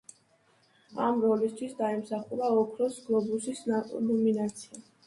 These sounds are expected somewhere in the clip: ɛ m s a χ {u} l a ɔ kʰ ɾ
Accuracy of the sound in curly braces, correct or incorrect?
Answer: correct